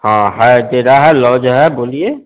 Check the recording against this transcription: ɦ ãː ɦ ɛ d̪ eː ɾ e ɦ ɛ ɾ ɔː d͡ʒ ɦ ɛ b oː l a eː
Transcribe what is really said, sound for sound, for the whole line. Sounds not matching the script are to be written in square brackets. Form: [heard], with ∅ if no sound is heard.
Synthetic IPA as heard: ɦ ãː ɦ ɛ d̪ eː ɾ [a] ɦ ɛ [l] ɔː d͡ʒ ɦ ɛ b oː l [i] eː